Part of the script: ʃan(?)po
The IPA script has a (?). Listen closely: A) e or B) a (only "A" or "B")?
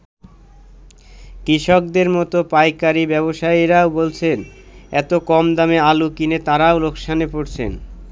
A